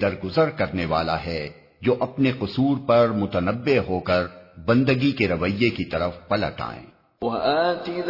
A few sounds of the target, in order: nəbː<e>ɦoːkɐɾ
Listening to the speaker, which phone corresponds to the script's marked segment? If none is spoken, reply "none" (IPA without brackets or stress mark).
e